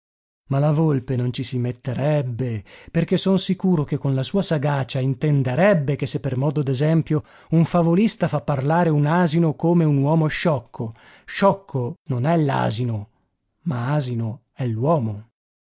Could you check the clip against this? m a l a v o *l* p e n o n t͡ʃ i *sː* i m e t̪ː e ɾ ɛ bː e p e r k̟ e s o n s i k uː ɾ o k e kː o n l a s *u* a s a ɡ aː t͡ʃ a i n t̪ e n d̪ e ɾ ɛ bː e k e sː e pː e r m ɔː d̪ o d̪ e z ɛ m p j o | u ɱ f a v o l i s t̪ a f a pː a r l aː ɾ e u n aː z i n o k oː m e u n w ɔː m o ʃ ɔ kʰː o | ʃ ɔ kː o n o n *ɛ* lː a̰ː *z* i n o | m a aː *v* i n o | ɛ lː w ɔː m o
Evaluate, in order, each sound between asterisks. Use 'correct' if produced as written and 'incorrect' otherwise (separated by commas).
correct, incorrect, incorrect, correct, correct, incorrect